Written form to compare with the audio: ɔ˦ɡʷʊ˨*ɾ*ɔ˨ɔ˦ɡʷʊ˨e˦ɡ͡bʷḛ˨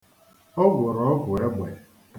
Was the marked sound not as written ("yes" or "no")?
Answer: no